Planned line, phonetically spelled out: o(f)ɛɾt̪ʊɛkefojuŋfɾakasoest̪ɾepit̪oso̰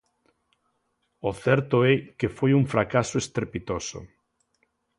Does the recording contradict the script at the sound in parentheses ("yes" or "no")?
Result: yes